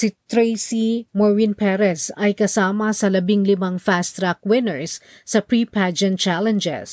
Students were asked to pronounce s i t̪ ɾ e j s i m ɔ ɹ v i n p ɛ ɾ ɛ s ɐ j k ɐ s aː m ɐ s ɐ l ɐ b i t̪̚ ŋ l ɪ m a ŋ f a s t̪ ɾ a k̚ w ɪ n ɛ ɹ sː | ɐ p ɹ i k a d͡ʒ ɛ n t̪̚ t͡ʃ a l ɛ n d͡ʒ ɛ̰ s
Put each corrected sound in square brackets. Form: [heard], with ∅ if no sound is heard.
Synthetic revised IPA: s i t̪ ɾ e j s i m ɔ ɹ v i n p ɛ ɾ ɛ s ɐ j k ɐ s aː m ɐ s ɐ l ɐ b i [∅] ŋ l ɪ m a ŋ f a s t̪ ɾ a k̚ w ɪ n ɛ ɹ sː | ɐ p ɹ i [p] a d͡ʒ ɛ n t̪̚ t͡ʃ a l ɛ n d͡ʒ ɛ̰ s